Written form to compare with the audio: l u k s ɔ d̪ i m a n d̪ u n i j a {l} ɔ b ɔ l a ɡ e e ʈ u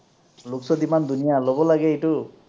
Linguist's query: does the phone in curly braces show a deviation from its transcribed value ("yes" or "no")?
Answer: no